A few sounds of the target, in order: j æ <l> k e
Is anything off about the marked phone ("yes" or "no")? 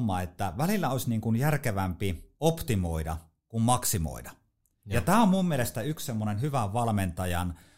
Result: yes